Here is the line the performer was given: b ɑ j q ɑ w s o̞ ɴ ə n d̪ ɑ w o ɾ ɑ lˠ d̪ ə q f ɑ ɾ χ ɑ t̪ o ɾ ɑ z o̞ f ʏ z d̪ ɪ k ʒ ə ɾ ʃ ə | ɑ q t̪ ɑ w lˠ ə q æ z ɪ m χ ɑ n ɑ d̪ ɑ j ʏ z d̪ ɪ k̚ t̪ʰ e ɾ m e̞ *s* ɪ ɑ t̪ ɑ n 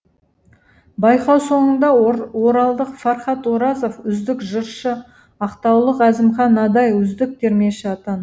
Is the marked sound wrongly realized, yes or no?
yes